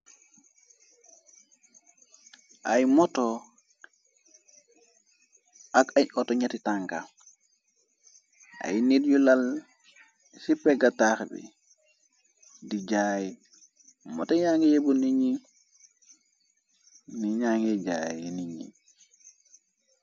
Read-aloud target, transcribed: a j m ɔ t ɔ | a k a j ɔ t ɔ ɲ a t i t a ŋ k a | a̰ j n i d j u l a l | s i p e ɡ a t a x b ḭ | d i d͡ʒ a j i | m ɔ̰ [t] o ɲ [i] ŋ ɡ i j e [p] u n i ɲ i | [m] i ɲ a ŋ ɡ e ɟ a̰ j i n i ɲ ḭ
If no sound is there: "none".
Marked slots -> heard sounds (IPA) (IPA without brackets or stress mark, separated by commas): t, a, b, n